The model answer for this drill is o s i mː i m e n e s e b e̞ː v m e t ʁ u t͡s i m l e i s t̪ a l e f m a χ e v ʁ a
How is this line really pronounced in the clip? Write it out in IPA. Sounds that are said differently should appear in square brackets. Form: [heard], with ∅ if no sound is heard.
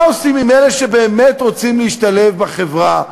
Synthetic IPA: o s i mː i m e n e [ʃ] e b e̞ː [∅] m e t ʁ [o] t͡s i m l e i [ʃ] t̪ a l e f [b] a χ e v ʁ a